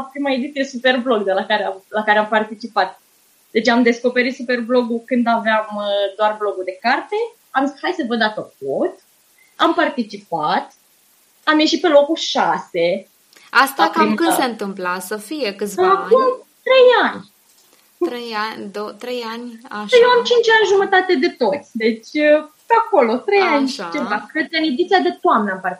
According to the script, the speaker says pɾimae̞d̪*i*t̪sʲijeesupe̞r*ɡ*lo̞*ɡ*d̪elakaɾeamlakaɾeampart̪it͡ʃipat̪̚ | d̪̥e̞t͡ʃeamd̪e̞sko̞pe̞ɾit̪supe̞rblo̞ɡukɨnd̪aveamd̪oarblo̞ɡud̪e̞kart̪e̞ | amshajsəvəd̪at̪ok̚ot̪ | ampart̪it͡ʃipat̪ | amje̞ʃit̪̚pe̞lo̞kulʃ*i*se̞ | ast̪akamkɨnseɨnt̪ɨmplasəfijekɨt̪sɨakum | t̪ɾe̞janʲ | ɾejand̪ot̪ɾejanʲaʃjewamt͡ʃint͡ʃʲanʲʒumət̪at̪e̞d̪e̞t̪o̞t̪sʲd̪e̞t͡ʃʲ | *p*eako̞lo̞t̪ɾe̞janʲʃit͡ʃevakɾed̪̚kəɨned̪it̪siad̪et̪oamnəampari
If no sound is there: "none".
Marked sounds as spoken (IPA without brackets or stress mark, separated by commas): i, b, ɡ, a, p